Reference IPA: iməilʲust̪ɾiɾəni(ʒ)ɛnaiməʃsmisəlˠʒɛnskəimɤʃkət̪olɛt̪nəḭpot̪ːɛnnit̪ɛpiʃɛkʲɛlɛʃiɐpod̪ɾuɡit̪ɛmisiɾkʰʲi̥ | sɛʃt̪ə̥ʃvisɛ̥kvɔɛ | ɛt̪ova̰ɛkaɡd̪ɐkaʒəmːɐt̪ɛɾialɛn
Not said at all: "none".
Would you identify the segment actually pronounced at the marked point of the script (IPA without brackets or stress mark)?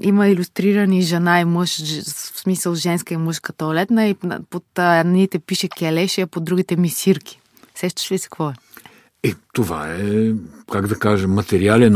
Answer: ʒ